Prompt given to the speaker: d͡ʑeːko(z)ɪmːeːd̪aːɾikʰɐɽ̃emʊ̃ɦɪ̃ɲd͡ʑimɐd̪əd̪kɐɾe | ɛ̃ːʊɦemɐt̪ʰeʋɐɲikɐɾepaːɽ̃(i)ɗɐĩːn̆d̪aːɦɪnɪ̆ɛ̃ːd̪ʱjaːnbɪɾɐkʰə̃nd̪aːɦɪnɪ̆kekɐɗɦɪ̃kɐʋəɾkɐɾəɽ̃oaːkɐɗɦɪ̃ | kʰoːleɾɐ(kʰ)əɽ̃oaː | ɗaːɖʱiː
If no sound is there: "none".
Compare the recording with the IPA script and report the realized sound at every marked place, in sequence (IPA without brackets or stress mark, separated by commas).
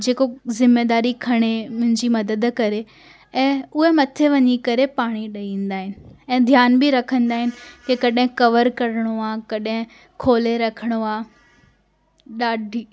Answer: z, i, kʰ